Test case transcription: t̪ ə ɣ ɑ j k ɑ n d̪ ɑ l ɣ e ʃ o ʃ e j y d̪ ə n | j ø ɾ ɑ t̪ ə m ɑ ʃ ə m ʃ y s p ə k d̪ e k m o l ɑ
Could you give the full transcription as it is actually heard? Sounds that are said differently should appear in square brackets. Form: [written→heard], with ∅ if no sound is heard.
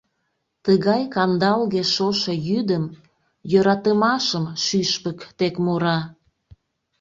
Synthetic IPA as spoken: t̪ ə ɣ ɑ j k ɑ n d̪ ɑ l ɣ e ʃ o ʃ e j y d̪ ə [n→m] | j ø ɾ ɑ t̪ ə m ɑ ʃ ə m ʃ y [s→ʃ] p ə k [d̪→t̪] e k m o [l→ɾ] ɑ